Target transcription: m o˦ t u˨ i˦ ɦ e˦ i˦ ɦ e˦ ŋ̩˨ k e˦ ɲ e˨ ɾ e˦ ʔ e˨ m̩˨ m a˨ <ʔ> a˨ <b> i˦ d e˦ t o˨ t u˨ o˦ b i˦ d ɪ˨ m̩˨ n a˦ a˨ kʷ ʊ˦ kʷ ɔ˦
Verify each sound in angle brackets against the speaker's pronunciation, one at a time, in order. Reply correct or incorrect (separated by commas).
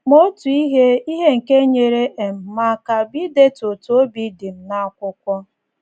incorrect, correct